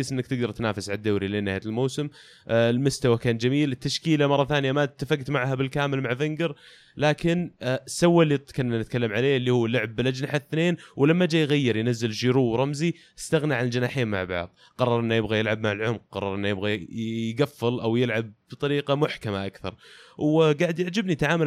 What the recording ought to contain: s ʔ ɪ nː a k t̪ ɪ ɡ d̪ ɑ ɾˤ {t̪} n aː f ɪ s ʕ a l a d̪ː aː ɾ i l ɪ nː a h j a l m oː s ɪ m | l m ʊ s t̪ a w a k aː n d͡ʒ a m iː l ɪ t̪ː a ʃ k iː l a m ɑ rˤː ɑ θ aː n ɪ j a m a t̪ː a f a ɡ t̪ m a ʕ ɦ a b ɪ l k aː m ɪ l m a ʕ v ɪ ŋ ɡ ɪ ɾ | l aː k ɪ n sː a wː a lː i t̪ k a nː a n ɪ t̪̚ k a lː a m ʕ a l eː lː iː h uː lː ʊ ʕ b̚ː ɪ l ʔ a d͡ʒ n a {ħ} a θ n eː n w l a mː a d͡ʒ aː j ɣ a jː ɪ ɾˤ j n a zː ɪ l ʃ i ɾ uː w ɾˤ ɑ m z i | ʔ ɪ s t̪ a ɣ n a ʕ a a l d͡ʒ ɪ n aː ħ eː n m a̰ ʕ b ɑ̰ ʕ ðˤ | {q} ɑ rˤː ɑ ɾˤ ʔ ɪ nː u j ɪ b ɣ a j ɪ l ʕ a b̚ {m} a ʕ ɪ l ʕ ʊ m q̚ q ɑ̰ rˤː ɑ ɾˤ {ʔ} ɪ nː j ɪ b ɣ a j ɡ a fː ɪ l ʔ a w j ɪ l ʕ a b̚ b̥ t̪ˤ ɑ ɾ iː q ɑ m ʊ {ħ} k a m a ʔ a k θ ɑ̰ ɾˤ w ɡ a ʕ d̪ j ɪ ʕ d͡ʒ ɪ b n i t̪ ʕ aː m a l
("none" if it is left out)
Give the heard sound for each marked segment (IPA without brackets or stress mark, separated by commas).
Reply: t̪, ħ, q, m, ʔ, ħ